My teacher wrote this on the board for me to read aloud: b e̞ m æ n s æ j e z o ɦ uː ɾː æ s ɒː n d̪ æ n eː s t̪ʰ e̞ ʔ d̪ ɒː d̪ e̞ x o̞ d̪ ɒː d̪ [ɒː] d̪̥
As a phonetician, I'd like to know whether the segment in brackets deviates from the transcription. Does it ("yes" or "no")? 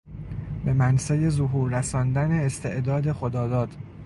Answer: no